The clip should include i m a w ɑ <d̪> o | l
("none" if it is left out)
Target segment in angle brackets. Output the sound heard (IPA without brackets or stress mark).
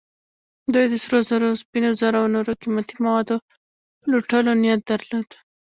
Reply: d̪